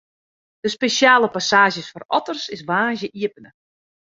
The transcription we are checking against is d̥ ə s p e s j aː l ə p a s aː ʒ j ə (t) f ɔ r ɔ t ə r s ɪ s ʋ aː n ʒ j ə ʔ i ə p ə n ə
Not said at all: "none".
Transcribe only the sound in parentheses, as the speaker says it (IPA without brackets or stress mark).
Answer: s